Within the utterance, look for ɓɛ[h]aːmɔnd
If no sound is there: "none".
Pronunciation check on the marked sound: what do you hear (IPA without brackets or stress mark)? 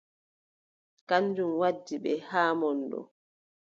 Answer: h